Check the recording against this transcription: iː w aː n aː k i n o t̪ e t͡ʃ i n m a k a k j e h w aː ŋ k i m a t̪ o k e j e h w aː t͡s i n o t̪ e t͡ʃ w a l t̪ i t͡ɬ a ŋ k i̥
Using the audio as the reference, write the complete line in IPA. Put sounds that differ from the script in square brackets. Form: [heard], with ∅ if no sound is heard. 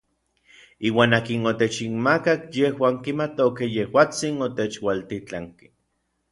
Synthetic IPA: iː w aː n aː k i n o t̪ e t͡ʃ i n m a k a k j e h w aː ŋ k i m a t̪ o k e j e h w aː t͡s i n o t̪ e t͡ʃ w a l t̪ i t͡ɬ a ŋ k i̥

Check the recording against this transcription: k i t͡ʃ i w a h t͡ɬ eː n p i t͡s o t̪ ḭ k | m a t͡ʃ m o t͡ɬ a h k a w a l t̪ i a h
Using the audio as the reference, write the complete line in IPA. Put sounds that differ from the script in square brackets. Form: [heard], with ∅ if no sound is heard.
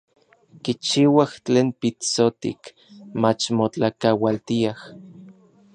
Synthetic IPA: k i t͡ʃ i w a h t͡ɬ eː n p i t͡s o t̪ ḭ k | m a t͡ʃ m o t͡ɬ a [∅] k a w a l t̪ i a h

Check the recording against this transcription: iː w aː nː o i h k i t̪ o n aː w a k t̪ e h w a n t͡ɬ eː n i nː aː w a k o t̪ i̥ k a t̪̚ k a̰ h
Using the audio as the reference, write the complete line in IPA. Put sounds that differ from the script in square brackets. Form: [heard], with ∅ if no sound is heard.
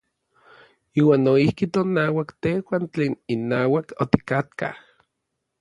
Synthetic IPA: iː w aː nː o i h k i t̪ o n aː w a k t̪ e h w a n t͡ɬ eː n i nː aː w a k o t̪ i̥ k a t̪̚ k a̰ h

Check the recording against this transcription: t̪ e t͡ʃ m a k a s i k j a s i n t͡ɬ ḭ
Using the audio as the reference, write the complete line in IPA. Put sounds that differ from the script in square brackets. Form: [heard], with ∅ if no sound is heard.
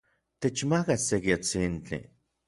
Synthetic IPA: t̪ e t͡ʃ m a k a s [e] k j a [t͡s] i n t͡ɬ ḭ

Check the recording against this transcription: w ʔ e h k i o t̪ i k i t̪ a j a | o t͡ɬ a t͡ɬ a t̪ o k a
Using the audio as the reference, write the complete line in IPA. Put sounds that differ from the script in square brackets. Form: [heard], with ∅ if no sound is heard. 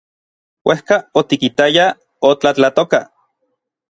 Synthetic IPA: w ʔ e h k [a] o t̪ i k i t̪ a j a | o t͡ɬ a t͡ɬ a t̪ o k a

